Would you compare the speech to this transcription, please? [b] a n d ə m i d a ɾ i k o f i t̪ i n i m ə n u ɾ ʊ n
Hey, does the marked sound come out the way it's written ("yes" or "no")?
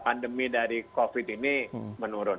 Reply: no